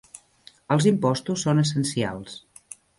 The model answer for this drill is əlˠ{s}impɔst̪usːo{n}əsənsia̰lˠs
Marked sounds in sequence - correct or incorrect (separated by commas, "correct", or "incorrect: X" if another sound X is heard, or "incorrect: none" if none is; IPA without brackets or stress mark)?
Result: incorrect: z, correct